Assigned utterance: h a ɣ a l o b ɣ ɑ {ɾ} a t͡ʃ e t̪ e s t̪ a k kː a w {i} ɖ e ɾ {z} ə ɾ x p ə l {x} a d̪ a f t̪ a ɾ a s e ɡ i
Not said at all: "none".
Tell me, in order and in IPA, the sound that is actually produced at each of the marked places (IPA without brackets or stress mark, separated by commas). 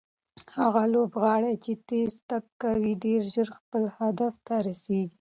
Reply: ɽ, i, ʒ, h